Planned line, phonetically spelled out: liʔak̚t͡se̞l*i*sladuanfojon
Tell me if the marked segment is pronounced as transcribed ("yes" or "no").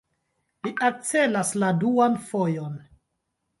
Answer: no